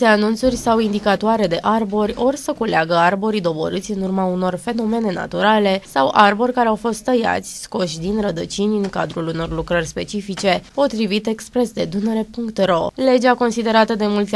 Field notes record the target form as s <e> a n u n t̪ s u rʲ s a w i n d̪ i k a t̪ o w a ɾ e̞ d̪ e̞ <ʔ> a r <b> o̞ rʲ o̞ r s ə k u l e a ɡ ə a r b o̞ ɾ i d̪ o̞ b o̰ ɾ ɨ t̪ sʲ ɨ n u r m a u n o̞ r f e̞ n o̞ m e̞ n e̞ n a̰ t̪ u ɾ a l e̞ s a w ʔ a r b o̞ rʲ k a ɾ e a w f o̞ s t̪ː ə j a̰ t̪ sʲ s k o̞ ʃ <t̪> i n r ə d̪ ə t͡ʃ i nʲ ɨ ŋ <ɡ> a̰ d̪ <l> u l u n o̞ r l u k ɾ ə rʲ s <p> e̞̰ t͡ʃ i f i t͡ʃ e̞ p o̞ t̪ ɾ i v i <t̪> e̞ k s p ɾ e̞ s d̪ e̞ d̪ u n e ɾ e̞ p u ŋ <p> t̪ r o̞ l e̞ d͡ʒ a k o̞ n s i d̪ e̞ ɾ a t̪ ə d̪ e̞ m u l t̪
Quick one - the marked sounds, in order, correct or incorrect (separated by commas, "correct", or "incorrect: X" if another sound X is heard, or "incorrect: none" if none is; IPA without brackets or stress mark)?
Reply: correct, correct, correct, incorrect: d̪, incorrect: k, incorrect: ɾ, correct, correct, incorrect: k